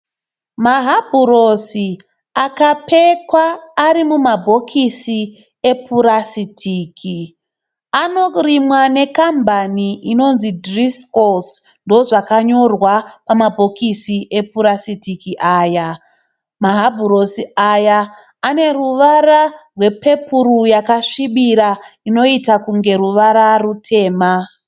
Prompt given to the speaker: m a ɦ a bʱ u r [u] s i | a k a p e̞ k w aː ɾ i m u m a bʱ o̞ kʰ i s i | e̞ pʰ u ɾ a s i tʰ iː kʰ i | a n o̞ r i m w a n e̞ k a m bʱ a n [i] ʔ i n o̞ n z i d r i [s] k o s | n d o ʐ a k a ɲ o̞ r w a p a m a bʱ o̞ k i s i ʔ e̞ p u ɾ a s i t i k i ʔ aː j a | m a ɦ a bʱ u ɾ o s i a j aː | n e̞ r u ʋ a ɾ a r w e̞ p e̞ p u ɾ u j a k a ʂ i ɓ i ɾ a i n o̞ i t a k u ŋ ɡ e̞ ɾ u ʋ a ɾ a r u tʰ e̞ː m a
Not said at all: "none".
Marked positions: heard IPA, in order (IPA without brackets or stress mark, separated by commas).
o, i, s